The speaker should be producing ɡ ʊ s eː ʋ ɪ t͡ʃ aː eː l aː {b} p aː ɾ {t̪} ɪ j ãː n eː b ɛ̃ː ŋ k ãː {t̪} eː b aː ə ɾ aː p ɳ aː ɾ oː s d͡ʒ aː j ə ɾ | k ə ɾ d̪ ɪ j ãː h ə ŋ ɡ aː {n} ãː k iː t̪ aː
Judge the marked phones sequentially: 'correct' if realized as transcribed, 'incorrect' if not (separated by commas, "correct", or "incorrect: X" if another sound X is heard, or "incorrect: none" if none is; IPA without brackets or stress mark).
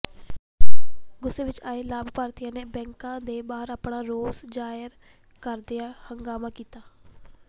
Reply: correct, correct, incorrect: d̪, incorrect: m